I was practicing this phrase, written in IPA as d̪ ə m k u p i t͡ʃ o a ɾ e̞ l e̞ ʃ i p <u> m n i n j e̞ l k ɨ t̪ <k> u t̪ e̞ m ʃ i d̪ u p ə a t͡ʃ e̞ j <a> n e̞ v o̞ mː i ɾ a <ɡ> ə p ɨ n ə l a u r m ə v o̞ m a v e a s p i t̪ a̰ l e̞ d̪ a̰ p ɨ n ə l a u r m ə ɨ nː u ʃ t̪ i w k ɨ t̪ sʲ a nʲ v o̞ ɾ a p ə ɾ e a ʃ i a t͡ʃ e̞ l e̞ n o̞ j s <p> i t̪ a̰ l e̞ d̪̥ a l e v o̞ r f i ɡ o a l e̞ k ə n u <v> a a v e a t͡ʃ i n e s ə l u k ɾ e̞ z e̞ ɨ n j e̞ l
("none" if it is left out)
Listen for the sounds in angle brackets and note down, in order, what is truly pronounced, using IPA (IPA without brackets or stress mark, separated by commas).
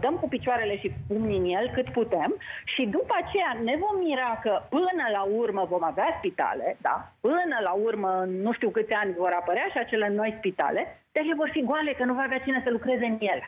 u, p, a, k, p, v